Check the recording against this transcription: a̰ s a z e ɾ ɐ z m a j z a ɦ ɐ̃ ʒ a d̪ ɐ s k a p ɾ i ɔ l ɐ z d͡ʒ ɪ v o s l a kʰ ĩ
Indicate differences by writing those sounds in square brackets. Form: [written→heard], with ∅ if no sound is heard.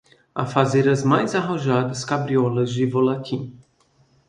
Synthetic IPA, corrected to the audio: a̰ [s→f] a z e ɾ ɐ z m a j z a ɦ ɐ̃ ʒ a d̪ ɐ s k a [p→b] ɾ i ɔ l ɐ z d͡ʒ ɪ v o [s→∅] l a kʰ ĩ